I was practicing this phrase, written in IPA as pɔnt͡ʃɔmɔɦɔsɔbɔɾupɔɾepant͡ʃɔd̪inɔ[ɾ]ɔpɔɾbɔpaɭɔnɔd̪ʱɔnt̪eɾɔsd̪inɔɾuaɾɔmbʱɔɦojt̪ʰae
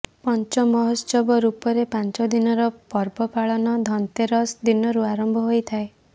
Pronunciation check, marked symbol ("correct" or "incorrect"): correct